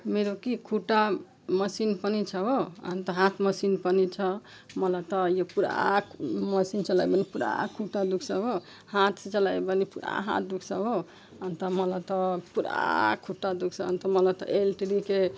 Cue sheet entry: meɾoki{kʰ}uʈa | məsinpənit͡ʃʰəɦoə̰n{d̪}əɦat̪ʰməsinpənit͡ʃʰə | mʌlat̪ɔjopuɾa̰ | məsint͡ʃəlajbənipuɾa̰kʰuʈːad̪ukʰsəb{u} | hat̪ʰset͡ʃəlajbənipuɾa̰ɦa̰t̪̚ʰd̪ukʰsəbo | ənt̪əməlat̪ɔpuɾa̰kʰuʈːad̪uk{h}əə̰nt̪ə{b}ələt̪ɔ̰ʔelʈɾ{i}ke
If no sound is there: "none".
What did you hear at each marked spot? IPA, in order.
kʰ, t̪, o, s, m, i

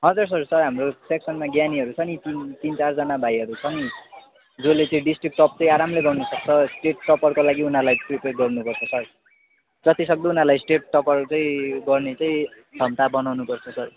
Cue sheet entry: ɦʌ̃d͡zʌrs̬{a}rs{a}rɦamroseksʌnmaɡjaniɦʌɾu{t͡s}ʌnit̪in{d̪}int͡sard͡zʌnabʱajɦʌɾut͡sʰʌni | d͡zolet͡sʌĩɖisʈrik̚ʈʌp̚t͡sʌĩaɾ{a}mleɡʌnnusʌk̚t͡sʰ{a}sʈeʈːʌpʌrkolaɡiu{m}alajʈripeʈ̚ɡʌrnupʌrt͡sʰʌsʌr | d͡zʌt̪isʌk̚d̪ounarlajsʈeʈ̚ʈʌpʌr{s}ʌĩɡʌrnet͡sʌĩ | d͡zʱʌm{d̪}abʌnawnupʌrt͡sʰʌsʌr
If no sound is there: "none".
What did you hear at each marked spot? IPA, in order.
ʌ, ʌ, t͡sʰ, t̪, a, ʌ, n, t͡s, t̪

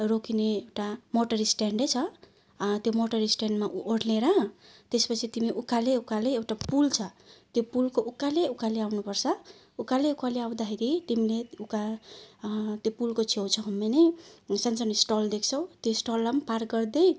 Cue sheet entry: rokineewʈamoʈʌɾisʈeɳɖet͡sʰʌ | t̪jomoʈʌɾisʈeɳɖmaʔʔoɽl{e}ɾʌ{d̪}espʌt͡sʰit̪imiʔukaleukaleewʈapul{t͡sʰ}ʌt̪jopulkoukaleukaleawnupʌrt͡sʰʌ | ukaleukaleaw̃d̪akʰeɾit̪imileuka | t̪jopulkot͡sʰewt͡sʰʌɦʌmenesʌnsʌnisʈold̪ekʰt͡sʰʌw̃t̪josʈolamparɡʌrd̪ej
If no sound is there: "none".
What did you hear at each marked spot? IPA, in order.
e, t̪, t͡sʰ

